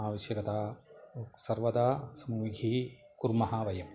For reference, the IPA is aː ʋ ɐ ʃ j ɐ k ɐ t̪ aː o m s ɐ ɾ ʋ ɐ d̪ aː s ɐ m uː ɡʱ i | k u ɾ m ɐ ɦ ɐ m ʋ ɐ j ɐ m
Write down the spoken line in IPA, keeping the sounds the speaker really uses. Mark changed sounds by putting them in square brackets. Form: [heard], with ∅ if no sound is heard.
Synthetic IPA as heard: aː ʋ ɐ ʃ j ɐ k ɐ t̪ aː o [∅] s ɐ ɾ ʋ ɐ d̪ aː s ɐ m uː ɡʱ i | k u ɾ m ɐ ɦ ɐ [∅] ʋ ɐ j ɐ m